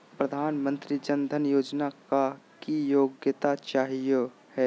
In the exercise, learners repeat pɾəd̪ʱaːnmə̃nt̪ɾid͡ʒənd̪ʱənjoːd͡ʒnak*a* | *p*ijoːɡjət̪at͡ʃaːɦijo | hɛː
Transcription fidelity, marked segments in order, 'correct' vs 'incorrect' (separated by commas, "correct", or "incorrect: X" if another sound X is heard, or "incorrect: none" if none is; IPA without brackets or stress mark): correct, incorrect: k